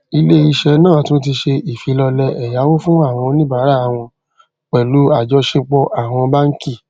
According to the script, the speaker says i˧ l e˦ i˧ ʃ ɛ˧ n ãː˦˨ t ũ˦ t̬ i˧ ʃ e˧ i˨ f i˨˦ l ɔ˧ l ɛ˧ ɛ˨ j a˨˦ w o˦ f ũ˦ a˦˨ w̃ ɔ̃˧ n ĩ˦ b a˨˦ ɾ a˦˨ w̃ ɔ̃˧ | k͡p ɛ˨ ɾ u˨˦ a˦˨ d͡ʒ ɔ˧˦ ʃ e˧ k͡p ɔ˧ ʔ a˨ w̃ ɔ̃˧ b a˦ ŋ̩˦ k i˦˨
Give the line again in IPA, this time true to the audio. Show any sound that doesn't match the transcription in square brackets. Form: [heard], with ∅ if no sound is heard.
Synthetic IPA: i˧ l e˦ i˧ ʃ ɛ˧ n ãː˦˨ t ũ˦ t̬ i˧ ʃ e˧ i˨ f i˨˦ l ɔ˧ l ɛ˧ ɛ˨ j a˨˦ w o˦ f ũ˦ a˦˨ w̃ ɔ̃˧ n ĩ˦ b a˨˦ ɾ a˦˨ w̃ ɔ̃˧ | k͡p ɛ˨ [l] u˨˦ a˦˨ d͡ʒ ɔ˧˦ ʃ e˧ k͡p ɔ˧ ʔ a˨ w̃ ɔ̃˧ b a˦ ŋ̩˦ k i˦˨